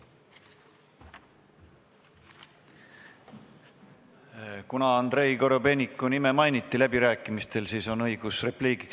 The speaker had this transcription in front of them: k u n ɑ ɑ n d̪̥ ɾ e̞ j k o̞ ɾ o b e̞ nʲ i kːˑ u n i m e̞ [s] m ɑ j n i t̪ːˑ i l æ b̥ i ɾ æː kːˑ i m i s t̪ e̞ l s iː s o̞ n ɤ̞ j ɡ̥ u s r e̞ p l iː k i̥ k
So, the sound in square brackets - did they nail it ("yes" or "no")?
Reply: no